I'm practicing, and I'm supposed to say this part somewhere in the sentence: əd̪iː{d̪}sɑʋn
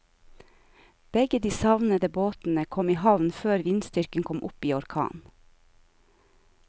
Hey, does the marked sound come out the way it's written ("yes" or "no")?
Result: no